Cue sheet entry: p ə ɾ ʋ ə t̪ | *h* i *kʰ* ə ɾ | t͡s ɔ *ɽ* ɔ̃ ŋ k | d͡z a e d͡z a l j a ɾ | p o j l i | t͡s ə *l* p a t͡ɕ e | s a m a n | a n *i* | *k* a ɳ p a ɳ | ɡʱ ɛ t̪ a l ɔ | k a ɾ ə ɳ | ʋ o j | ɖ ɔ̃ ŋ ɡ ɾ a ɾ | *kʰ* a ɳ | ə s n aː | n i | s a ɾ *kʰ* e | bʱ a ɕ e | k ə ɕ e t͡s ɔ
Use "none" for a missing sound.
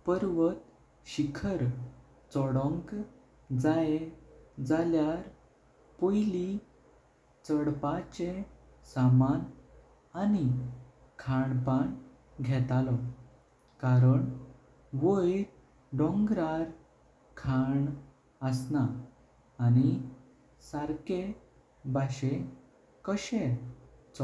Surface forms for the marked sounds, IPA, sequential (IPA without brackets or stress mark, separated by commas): ɕ, kʰ, ɽ, ɽ, i, kʰ, kʰ, k